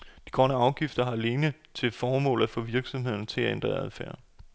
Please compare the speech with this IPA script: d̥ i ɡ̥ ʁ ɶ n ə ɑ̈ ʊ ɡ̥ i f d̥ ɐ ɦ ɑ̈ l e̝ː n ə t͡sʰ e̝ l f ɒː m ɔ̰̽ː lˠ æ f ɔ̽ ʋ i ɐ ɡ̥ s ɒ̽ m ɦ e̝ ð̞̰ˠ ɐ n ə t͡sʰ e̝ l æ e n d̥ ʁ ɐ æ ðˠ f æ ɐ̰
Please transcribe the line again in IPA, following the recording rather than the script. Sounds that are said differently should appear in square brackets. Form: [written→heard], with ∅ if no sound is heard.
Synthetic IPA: d̥ i ɡ̥ ʁ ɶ n ə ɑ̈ ʊ ɡ̥ i f d̥ ɐ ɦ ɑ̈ l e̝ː n ə t͡sʰ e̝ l f ɒː m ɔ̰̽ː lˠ æ f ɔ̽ ʋ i ɐ ɡ̥ s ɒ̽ m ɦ e̝ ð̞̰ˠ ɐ n ə t͡sʰ e̝ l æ e n d̥ ʁ ɐ æ ðˠ f æ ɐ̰